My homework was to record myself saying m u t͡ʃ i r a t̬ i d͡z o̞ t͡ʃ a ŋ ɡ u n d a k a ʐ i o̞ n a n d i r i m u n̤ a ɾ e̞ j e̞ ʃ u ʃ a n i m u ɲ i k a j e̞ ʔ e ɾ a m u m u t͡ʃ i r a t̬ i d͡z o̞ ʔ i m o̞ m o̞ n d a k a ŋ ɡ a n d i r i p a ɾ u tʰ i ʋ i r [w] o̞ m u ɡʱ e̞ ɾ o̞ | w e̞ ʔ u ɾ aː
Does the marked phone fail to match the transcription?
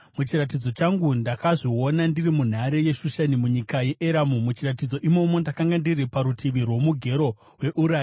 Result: no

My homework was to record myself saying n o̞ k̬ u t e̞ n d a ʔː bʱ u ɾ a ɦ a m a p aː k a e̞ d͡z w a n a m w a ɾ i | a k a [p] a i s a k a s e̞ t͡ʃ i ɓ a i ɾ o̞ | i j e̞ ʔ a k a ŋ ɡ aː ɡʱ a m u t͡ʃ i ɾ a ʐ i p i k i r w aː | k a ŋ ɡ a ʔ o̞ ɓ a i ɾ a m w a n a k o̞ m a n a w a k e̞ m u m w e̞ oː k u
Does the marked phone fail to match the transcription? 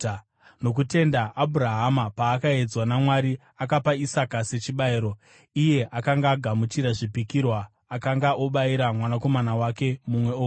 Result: no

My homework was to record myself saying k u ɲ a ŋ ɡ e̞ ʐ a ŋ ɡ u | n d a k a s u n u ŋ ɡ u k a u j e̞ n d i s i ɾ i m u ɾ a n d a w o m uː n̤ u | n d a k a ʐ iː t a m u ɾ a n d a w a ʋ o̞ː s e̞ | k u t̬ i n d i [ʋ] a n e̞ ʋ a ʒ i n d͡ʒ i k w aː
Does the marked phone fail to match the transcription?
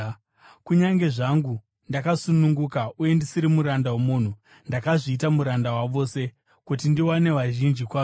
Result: yes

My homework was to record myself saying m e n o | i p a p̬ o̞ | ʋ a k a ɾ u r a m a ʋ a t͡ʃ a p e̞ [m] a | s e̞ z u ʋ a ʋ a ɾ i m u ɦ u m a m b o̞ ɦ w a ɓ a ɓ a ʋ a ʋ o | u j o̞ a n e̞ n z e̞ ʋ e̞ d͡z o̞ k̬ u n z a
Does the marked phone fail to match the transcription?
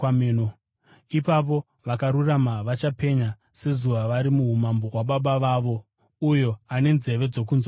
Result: yes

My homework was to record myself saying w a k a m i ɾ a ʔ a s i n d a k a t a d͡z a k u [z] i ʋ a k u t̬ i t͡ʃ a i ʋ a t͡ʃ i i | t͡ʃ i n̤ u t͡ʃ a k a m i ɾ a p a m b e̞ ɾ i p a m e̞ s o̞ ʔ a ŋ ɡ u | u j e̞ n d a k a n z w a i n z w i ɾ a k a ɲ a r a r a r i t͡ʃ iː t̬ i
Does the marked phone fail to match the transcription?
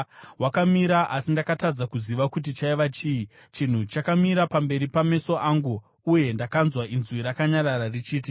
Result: no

